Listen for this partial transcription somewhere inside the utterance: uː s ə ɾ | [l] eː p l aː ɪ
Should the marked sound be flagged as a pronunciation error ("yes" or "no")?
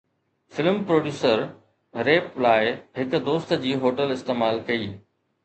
yes